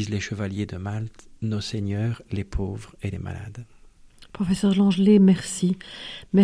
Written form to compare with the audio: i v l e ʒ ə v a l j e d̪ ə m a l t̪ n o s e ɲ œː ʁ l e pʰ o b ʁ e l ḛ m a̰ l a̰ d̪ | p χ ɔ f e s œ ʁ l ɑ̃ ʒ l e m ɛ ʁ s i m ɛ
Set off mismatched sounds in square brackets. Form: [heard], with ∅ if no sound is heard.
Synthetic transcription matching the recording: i [z] l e [ʃ] ə v a l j e d̪ ə m a l t̪ n o s e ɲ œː ʁ l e pʰ o [v] ʁ e l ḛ m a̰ l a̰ d̪ | p χ ɔ f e s œ ʁ l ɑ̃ ʒ l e m ɛ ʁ s i m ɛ